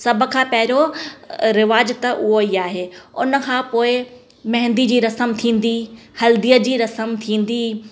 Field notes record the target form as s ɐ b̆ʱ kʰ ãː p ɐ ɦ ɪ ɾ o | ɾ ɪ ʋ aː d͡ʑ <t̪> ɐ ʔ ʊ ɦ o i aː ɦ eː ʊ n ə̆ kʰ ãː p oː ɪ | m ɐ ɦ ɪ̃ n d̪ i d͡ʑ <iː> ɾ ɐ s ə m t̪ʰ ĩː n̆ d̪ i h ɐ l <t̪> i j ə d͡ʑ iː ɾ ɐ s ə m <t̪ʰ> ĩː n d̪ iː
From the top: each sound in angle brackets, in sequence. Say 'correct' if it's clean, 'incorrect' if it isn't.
correct, correct, incorrect, correct

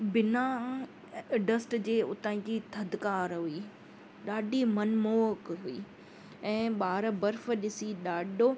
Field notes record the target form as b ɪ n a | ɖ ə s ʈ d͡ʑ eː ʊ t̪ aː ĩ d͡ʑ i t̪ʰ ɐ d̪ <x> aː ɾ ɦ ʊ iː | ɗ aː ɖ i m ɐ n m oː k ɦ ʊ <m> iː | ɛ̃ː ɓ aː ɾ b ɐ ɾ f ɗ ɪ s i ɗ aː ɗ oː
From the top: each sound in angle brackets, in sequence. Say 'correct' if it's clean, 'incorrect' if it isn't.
incorrect, incorrect

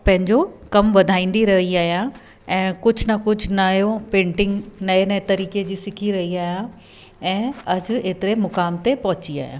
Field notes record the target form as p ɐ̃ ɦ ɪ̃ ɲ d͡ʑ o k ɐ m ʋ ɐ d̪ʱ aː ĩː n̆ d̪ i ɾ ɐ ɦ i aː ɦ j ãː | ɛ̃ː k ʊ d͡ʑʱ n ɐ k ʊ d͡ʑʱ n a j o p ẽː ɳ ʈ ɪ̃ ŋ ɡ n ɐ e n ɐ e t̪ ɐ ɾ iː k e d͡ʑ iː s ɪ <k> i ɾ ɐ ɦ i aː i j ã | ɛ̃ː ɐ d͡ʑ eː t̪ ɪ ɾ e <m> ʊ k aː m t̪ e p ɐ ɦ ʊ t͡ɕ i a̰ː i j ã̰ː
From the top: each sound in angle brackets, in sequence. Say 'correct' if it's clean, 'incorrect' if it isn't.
incorrect, correct

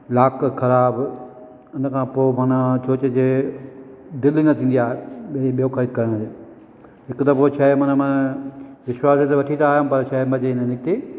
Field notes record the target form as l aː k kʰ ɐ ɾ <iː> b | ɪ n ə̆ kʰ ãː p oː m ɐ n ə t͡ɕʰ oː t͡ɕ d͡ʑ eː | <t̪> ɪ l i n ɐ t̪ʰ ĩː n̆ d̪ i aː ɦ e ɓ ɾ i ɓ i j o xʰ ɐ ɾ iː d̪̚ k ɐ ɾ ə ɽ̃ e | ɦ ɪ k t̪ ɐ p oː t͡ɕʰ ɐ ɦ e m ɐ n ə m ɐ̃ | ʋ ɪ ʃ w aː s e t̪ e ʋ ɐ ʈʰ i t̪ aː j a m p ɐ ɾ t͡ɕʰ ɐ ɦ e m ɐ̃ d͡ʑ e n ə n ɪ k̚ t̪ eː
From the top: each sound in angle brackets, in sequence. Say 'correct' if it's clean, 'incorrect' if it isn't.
incorrect, incorrect

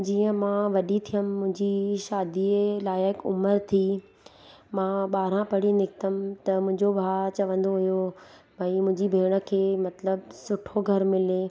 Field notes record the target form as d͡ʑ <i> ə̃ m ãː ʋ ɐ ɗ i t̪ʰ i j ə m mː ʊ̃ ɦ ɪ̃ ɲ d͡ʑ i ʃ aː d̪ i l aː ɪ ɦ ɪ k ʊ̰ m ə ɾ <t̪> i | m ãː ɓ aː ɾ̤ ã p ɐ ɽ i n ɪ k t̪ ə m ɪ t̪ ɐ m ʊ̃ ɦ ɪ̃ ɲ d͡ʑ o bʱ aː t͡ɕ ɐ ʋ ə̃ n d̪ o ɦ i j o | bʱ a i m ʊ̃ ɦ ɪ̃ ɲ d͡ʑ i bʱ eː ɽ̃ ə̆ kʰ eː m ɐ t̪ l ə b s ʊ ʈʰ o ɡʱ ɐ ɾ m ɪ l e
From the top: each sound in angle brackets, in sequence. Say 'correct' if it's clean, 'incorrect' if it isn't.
incorrect, incorrect

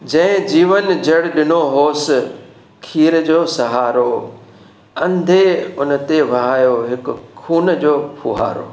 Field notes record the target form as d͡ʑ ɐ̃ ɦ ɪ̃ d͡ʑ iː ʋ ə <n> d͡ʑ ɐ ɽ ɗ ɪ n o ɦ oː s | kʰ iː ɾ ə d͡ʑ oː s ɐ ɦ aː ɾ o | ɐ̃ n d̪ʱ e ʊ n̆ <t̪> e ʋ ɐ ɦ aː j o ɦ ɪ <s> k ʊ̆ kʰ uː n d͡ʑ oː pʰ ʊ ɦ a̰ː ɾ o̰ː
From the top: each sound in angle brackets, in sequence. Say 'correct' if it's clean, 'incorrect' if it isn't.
correct, correct, incorrect

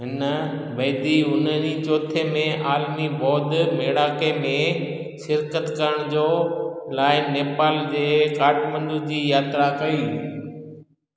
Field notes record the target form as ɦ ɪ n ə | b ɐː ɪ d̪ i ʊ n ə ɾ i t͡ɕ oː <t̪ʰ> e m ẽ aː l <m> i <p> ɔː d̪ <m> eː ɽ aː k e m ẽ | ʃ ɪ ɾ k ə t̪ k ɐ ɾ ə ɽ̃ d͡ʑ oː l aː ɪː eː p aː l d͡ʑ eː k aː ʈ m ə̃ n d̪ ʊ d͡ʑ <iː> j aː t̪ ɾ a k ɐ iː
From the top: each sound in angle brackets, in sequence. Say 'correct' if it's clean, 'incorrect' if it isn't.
correct, correct, incorrect, correct, correct

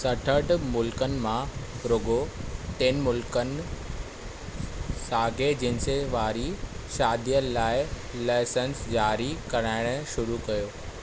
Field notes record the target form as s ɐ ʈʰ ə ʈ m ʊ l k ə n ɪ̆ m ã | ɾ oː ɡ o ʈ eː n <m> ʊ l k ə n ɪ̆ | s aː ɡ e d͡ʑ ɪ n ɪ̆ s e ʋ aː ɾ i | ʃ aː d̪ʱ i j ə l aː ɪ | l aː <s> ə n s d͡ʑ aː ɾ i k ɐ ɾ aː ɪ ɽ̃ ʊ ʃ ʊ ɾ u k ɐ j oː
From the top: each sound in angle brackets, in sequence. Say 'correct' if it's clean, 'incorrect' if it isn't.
correct, correct

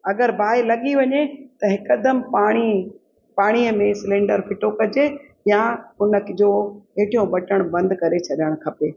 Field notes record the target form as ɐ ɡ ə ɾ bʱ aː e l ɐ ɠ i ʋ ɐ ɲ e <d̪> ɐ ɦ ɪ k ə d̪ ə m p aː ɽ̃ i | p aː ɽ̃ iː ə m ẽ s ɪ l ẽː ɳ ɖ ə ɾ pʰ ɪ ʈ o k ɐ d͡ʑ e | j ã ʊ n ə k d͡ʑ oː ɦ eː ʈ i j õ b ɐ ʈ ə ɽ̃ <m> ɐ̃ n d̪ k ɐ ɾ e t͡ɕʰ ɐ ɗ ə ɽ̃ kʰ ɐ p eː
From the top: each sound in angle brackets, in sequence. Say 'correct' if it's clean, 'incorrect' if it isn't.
incorrect, incorrect

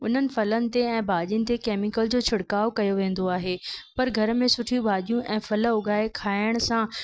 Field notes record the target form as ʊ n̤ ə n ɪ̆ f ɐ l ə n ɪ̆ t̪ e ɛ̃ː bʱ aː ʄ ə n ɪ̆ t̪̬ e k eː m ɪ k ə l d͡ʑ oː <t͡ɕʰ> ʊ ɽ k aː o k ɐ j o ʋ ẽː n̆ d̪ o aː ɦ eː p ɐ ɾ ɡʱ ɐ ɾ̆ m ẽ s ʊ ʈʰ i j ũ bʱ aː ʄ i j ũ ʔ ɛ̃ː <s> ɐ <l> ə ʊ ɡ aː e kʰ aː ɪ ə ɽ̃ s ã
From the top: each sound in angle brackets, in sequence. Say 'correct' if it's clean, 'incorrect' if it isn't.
correct, incorrect, correct

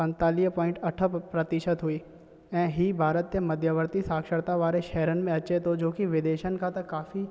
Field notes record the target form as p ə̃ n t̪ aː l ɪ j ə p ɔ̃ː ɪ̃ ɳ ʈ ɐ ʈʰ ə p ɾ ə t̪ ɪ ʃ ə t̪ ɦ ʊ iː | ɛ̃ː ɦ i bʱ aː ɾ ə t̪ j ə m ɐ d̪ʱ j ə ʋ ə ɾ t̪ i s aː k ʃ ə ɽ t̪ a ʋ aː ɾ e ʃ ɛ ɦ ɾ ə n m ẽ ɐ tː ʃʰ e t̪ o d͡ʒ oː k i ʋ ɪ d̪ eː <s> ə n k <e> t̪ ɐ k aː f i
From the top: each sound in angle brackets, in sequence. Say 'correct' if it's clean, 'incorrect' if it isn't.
incorrect, incorrect

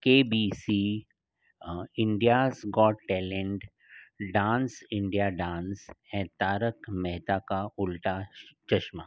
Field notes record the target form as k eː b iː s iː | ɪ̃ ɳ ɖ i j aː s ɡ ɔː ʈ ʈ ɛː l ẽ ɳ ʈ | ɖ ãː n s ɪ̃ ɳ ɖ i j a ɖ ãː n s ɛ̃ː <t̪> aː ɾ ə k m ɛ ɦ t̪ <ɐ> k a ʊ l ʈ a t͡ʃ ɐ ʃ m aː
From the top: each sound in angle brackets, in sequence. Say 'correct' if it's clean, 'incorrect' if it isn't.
correct, incorrect

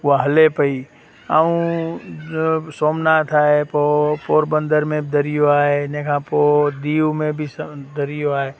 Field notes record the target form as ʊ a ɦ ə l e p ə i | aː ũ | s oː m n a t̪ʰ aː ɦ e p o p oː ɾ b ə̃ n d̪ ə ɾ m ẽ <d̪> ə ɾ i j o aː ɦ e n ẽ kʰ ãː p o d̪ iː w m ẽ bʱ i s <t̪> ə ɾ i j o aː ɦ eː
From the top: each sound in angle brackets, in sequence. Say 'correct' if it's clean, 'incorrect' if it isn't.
correct, incorrect

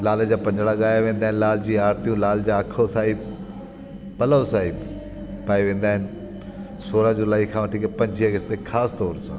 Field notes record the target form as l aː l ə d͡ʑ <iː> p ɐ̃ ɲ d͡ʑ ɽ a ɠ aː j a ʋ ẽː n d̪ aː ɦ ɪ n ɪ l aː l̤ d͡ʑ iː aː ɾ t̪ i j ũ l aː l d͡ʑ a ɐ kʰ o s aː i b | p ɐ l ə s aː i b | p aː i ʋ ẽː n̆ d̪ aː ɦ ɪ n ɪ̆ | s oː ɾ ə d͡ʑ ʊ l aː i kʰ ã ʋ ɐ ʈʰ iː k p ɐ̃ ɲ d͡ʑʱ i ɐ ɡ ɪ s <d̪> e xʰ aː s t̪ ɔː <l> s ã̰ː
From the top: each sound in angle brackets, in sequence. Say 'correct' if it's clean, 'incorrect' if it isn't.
incorrect, incorrect, incorrect

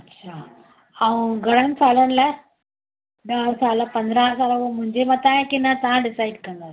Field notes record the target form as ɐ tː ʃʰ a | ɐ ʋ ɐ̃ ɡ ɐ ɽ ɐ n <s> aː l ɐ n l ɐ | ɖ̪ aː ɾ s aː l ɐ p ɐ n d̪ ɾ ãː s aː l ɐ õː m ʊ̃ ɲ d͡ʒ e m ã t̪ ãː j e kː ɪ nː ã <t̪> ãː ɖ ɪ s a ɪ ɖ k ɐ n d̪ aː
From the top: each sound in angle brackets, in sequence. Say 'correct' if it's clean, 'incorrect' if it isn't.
correct, correct

